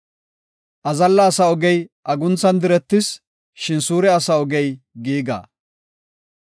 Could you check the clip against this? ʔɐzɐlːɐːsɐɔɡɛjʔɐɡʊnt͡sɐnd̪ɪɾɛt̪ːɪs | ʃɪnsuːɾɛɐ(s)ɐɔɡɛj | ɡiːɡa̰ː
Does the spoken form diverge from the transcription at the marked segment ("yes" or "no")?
no